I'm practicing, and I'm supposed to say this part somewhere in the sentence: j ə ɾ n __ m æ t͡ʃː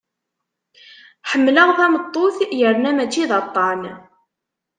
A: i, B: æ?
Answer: B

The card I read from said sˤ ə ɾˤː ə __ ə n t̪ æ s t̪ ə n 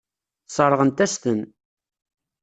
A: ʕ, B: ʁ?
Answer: B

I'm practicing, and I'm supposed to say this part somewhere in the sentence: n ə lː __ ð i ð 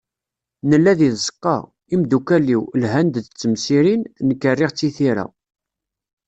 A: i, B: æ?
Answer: B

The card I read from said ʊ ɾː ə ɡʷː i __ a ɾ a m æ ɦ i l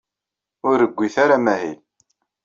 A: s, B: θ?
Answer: B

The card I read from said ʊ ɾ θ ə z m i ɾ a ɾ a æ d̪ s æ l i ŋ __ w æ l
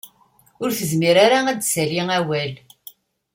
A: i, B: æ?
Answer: B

